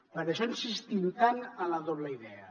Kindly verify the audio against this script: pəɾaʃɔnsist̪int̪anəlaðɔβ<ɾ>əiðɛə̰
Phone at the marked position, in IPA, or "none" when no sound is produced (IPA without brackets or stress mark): l